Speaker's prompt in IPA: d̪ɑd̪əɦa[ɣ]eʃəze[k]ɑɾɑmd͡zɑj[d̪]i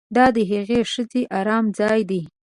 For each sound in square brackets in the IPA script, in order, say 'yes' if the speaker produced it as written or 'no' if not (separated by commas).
yes, no, yes